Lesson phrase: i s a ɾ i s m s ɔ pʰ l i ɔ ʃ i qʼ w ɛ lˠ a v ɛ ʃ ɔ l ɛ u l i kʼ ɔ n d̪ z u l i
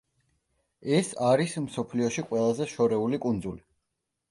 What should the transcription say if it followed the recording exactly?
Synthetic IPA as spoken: ɛ s a ɾ i s m s ɔ pʰ l i ɔ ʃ i qʼ w ɛ lˠ a z ɛ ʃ ɔ ɾ ɛ u l i kʼ u n d̪ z u l i